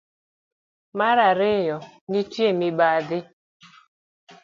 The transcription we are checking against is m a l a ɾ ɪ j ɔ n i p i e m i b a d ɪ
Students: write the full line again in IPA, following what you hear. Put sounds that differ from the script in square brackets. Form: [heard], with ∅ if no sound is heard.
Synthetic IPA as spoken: m a [ɾ] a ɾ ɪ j ɔ n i [t] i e m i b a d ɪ